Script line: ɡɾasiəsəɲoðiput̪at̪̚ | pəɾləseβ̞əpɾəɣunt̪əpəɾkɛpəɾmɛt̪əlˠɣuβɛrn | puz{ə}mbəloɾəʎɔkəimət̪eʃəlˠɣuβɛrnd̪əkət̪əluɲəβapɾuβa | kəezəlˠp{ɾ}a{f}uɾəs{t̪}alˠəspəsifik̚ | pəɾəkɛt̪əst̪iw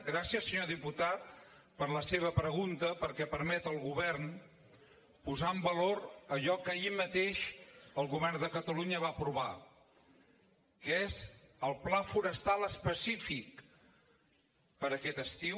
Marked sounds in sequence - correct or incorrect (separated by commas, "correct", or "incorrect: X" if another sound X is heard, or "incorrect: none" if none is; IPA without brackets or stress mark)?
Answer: incorrect: a, incorrect: l, correct, correct